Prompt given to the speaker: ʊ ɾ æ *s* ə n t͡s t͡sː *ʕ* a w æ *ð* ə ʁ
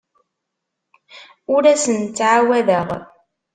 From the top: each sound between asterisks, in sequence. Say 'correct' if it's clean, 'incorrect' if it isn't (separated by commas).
correct, correct, correct